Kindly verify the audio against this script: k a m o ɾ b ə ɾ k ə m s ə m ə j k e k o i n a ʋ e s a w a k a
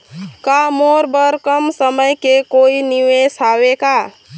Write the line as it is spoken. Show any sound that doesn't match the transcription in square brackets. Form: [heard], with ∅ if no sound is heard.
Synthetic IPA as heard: k a m o ɾ b ə ɾ k ə m s ə m ə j k e k o i n [i] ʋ e s a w [e] k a